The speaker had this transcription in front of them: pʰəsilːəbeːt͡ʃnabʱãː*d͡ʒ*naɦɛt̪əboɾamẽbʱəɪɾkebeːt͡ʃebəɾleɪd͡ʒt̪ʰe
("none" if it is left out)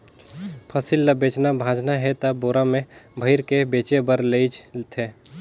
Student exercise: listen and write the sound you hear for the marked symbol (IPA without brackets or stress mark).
d͡ʒ